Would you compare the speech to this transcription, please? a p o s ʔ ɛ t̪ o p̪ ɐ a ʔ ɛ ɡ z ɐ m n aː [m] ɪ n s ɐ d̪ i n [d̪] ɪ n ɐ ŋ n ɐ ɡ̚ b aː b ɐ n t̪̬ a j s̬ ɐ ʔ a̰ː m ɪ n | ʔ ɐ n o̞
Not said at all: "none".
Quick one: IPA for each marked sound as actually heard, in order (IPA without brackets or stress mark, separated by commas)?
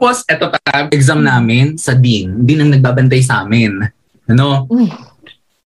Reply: m, d̪